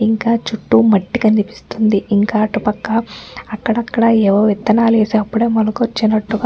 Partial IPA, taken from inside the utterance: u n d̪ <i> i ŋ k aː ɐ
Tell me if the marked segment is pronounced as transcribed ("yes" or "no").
yes